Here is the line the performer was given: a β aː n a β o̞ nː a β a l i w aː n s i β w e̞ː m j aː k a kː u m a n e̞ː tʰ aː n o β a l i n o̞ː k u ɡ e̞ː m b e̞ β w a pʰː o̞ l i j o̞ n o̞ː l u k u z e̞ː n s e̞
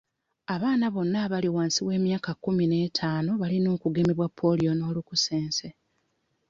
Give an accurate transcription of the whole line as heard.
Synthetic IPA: a β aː n a β o̞ nː a β a l i w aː n s i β w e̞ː m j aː k a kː u m i n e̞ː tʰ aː n o β a l i n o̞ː k u ɡ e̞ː m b e̞ β w a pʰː o̞ l i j o̞ n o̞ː l u k u s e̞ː n s e̞

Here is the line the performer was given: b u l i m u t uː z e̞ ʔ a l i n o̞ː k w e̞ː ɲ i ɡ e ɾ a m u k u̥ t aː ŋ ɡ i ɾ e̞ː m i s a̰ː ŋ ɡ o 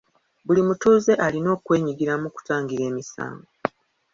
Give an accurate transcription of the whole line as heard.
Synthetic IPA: b u l i m u t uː z e̞ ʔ a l i n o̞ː k w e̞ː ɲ i ɡ i ɾ a m u k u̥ t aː ŋ ɡ i ɾ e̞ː m i s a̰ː ŋ ɡ o

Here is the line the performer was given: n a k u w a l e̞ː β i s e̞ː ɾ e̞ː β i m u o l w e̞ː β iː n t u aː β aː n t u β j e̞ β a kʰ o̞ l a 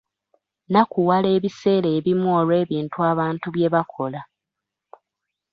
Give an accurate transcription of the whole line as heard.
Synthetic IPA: n a k u w a l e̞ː β i s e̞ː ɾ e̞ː β i m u o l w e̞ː β iː n t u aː β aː n t u β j e̞ β a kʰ o̞ l a

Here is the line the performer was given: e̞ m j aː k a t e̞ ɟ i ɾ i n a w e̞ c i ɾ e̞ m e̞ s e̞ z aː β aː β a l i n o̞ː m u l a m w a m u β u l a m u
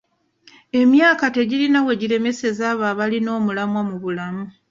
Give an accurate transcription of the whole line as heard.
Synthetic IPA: e̞ m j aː k a t e̞ ɟ i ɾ i n a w e̞ ɟ i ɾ e̞ m e̞ s e̞ z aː β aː β a l i n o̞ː m u l a m w a m u β u l a m u

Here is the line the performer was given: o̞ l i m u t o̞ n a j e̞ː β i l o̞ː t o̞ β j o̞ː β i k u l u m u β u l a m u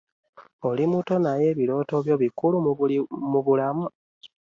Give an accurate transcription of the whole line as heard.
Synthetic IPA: o̞ l i m u t o̞ n a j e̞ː β i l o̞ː t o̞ β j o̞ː β i k u l u m u β u l a m u

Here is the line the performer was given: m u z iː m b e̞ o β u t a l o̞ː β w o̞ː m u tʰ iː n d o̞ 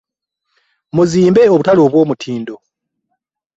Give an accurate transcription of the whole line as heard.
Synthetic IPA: m u z iː m b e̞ o β u t a l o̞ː β w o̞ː m u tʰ iː n d o̞

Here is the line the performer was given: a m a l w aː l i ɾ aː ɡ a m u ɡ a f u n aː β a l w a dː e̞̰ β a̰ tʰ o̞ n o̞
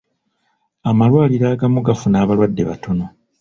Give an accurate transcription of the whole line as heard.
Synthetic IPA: a m a l w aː l i ɾ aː ɡ a m u ɡ a f u n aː β a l w a dː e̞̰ β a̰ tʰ o̞ n o̞

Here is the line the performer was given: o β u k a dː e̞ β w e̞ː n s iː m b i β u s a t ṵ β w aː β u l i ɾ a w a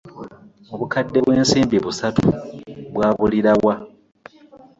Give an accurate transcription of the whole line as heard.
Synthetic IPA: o β u k a dː e̞ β w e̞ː n s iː m b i β u s a t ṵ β w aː β u l i ɾ a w a

